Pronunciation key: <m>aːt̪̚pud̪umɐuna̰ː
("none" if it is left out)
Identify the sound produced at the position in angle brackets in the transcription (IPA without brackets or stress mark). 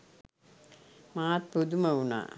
m